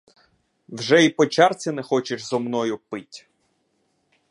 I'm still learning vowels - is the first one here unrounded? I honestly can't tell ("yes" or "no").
yes